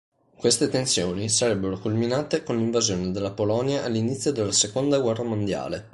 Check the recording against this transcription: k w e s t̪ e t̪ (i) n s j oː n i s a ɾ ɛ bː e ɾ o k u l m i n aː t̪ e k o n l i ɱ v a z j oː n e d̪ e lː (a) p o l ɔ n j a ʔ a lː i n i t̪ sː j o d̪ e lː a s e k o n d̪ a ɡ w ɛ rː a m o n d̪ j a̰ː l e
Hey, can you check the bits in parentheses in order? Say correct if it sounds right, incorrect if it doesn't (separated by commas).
incorrect, correct